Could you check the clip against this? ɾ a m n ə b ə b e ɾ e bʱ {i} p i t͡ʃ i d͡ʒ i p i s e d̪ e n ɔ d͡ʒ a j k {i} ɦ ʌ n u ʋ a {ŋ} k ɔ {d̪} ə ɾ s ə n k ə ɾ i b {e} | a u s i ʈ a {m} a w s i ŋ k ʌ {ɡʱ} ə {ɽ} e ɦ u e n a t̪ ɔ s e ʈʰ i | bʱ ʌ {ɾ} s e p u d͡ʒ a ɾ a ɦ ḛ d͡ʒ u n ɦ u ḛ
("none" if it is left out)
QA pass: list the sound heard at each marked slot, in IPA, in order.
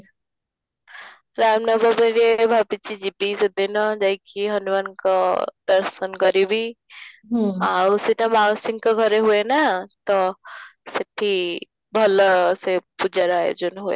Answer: a, i, n, d̪, i, m, ɡʱ, ɾ, l

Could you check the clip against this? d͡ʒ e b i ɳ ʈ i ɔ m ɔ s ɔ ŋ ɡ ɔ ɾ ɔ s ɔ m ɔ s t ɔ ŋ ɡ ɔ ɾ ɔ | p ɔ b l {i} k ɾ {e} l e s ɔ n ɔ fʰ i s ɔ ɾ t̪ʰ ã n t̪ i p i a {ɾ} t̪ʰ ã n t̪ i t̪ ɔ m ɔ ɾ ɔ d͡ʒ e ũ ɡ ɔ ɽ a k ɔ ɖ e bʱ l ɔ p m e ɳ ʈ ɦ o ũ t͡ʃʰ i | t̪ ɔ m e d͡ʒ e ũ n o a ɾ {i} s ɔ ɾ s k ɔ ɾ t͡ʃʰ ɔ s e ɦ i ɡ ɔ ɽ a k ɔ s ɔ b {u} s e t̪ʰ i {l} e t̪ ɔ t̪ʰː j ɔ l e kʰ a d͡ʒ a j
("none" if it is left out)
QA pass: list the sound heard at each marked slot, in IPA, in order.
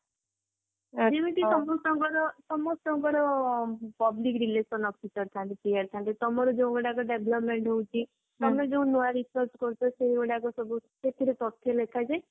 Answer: i, i, ɾ, i, u, ɾ

